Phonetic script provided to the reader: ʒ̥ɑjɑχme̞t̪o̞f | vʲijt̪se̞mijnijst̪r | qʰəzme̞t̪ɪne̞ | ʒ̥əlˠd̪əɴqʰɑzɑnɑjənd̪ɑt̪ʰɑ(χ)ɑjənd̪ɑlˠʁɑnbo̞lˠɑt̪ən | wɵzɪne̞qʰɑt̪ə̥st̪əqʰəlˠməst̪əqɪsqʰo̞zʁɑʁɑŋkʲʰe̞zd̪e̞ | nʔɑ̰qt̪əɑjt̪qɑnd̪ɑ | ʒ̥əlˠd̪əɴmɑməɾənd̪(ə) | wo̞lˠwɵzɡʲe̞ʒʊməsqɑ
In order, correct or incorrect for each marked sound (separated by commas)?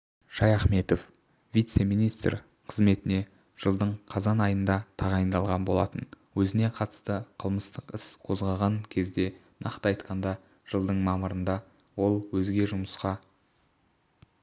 incorrect, incorrect